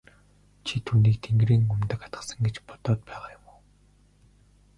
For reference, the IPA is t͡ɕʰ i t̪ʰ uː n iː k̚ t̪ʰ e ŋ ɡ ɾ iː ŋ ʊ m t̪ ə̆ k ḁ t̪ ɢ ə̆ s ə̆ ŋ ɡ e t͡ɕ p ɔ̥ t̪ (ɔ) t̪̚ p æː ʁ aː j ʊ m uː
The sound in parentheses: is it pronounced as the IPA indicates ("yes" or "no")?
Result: no